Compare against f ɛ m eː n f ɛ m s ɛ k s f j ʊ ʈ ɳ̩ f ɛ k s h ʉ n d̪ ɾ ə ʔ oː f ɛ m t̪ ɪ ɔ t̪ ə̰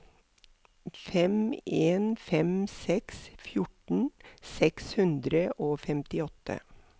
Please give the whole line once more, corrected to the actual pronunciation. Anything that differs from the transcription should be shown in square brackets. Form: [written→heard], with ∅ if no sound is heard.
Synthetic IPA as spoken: f ɛ m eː n f ɛ m s ɛ k s f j ʊ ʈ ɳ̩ [f→s] ɛ k s h ʉ n d̪ ɾ ə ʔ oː f ɛ m t̪ ɪ ɔ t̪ ə̰